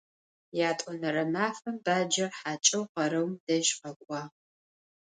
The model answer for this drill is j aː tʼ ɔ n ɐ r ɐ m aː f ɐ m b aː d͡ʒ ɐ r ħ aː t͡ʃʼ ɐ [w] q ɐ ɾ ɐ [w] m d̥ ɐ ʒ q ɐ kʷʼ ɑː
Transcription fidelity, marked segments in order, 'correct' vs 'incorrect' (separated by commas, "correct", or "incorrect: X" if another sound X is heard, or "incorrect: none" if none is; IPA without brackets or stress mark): correct, correct